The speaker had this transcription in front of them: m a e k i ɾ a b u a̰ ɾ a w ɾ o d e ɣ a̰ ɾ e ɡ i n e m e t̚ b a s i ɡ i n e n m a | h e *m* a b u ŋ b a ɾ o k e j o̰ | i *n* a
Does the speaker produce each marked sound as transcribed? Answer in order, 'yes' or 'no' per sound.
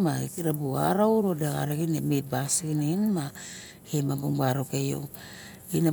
yes, yes

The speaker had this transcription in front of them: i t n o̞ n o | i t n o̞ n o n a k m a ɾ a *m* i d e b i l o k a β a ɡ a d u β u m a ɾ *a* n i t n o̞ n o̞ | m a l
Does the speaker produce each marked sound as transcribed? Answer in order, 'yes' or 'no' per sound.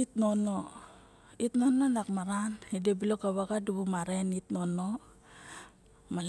no, no

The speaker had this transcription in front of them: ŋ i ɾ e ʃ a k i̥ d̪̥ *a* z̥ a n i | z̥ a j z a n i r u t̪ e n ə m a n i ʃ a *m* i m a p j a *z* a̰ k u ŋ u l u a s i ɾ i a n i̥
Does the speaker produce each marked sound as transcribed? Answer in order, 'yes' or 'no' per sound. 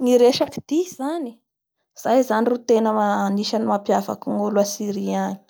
no, no, no

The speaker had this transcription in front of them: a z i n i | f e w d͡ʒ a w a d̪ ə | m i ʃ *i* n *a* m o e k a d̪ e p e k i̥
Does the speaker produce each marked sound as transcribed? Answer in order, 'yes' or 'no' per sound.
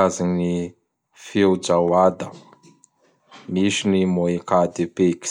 yes, no

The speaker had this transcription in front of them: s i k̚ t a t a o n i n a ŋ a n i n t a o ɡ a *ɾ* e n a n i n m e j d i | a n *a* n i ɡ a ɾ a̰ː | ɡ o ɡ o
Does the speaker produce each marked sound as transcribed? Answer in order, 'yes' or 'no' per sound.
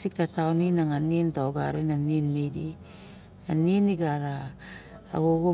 yes, no

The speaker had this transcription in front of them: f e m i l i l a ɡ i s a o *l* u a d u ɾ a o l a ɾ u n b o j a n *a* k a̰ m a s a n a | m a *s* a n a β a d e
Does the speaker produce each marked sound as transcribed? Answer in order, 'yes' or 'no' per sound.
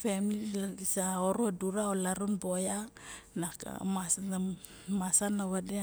no, yes, yes

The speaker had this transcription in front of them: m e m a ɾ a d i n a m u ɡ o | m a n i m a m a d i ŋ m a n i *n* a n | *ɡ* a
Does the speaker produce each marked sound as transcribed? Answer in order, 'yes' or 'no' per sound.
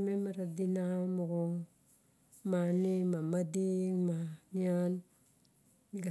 no, yes

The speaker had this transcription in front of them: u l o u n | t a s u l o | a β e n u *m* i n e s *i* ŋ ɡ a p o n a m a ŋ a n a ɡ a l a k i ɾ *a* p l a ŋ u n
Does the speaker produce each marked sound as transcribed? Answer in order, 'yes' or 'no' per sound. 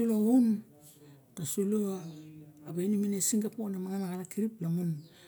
yes, yes, no

